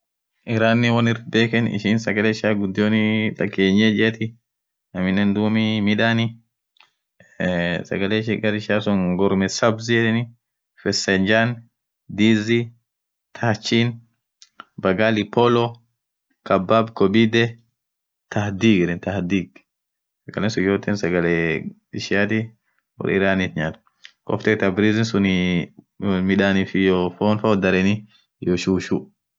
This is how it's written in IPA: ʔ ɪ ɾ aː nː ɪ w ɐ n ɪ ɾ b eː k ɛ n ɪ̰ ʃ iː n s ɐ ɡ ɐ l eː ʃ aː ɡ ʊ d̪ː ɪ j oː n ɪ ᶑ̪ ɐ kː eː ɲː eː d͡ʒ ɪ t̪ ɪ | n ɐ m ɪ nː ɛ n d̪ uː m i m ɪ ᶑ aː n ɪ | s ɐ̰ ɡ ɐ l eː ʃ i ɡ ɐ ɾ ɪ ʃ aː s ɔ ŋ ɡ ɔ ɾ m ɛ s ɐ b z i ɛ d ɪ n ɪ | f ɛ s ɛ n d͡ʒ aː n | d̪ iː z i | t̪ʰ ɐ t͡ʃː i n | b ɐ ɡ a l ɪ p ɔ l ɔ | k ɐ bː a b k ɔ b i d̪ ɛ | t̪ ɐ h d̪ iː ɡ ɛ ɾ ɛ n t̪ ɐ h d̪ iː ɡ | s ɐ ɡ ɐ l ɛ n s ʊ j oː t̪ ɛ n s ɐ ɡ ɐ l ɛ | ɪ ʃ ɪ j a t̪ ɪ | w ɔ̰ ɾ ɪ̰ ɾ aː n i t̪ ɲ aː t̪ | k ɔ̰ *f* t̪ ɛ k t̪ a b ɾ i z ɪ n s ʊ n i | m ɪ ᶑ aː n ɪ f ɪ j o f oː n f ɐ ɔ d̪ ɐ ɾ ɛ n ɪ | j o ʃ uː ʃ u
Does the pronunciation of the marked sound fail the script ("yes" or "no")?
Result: no